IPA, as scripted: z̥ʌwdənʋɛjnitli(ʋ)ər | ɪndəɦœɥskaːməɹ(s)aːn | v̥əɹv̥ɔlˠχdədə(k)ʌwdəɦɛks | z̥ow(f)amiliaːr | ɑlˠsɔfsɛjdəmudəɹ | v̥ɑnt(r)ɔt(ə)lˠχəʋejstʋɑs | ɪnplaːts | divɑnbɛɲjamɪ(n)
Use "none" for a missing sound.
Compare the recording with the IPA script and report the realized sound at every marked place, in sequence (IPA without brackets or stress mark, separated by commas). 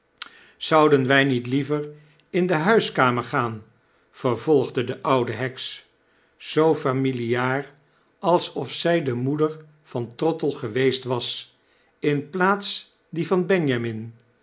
v, χ, ʔ, f, r, ə, n